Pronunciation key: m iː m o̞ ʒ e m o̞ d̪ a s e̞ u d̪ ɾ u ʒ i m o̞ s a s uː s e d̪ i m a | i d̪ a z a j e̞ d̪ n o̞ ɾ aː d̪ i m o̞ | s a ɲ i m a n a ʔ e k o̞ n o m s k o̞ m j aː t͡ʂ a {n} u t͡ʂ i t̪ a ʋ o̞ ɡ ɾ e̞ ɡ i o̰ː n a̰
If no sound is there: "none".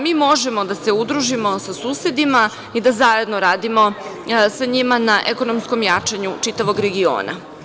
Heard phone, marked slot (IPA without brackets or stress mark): ɲ